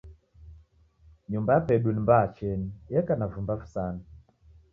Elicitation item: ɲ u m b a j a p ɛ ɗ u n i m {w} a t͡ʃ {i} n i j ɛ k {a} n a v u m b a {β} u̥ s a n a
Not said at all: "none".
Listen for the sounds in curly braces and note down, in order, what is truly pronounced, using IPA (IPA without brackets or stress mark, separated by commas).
b, ɛ, a, v